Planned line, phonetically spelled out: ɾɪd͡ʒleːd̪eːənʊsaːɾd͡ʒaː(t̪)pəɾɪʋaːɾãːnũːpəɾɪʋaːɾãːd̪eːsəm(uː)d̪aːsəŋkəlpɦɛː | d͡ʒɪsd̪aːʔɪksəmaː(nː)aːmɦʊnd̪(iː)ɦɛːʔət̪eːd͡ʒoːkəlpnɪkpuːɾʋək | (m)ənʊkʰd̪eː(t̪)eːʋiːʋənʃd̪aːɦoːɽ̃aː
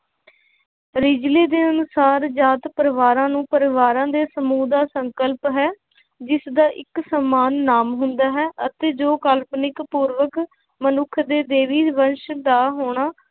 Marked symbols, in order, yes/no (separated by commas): yes, yes, yes, no, yes, no